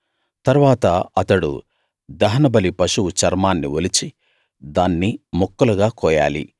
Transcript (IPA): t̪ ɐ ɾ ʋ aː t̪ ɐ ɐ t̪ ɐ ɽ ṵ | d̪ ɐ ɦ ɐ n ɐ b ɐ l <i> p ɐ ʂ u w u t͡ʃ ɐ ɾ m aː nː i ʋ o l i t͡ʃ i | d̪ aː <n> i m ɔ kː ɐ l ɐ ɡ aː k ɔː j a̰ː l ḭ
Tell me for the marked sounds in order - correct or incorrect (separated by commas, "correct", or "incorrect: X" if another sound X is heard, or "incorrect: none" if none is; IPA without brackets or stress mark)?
correct, incorrect: nː